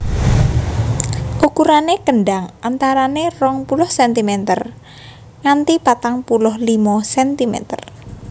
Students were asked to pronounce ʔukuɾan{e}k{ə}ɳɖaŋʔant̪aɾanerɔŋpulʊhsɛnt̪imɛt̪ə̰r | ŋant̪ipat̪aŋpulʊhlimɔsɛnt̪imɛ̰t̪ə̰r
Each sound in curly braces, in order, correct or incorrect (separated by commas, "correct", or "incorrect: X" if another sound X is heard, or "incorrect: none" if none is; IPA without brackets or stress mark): correct, correct